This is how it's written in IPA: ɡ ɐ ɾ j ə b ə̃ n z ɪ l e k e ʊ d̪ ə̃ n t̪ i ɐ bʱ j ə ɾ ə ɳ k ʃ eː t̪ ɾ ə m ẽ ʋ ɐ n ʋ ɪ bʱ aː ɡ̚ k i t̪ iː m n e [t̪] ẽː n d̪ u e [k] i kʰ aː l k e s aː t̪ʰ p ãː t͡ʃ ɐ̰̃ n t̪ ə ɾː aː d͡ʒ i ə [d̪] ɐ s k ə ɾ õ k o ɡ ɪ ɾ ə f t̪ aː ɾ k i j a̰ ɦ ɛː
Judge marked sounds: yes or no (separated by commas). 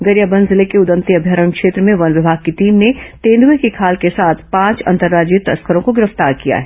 yes, yes, no